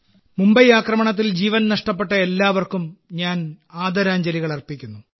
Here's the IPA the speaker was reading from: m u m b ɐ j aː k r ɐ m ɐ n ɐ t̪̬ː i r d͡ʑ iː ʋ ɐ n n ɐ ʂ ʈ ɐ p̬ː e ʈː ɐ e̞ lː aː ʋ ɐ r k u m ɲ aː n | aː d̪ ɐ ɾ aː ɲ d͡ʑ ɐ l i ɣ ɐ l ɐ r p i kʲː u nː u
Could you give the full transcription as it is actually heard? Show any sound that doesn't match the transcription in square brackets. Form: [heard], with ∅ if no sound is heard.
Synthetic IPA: m u m b ɐ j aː k r ɐ m ɐ [ɳ] ɐ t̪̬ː i [l] d͡ʑ iː ʋ ɐ n n ɐ ʂ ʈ ɐ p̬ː e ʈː ɐ e̞ lː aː ʋ ɐ r k u m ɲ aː n | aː d̪ ɐ ɾ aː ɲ d͡ʑ ɐ l i ɣ ɐ [ɭ] ɐ r p i kʲː u nː u